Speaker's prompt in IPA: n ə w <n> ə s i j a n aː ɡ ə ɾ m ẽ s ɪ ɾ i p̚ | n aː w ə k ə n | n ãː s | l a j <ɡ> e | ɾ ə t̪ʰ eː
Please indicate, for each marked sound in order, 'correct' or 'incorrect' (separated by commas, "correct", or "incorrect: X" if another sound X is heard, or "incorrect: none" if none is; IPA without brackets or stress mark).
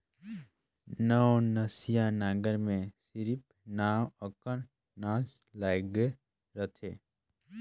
correct, correct